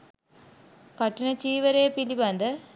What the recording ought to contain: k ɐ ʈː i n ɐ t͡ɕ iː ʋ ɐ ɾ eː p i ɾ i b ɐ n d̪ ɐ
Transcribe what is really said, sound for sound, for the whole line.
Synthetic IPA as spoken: k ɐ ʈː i n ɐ t͡ɕ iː ʋ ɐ ɾ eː p i l i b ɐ n d̪ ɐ